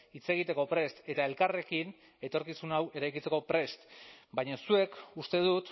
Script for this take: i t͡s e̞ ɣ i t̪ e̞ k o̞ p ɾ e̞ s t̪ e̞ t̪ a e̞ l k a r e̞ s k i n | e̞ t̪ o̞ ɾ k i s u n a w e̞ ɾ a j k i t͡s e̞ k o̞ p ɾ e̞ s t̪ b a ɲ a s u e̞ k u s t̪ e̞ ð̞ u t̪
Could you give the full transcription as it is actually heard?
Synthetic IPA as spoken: i t͡s e̞ ɣ i t̪ e̞ k o̞ p ɾ e̞ s t̪ e̞ t̪ a e̞ l k a r e̞ k i n | e̞ t̪ o̞ ɾ k i s u n a w e̞ ɾ a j k i t͡s e̞ k o̞ p ɾ e̞ s t̪ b a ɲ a s u e̞ k u s t̪ e̞ ð̞ u t̪